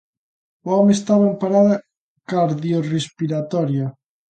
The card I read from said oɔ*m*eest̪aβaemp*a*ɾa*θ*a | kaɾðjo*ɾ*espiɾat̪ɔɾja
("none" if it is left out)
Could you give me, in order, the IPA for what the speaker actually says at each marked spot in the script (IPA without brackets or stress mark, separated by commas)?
m, a, ð, r